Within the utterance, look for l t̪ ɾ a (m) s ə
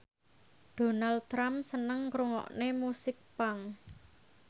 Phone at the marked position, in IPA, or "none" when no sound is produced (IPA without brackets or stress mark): m